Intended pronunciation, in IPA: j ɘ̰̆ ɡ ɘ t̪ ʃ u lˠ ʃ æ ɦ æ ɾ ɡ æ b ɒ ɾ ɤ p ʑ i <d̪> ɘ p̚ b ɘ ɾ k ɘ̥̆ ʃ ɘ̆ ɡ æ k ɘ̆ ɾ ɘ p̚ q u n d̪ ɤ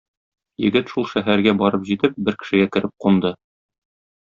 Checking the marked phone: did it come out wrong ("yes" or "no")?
yes